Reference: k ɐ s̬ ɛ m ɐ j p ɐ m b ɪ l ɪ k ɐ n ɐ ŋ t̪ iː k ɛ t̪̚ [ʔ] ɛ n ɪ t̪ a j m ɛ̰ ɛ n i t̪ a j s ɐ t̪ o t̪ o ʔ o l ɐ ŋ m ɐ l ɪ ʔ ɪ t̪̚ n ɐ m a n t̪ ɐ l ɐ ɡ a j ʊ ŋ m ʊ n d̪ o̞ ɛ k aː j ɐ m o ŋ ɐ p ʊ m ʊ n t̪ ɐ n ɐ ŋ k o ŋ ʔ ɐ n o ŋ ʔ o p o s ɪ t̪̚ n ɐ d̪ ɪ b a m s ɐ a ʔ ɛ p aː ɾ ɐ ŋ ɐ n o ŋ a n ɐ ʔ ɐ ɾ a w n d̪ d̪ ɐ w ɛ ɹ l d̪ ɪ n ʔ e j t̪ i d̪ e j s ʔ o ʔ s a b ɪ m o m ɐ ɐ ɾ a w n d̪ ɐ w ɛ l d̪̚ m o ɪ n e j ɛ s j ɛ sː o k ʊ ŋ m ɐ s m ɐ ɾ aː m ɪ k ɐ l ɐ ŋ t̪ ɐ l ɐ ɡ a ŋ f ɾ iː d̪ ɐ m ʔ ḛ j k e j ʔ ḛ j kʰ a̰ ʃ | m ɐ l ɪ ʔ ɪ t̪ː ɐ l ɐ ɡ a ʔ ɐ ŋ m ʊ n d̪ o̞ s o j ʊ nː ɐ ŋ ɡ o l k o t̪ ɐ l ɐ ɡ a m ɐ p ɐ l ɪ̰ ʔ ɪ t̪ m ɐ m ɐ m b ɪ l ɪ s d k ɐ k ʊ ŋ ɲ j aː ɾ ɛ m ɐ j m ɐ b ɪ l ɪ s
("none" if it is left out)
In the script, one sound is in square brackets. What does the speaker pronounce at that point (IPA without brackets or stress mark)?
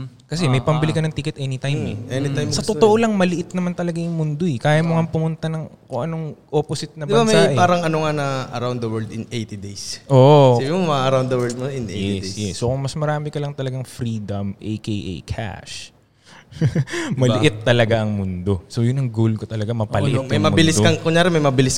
ʔ